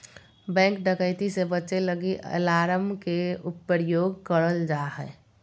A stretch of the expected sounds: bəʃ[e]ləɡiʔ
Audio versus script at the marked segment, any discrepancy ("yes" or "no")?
no